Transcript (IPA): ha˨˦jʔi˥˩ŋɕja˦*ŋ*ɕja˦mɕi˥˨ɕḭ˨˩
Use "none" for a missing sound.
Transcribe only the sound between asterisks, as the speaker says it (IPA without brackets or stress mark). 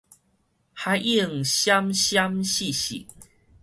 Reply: m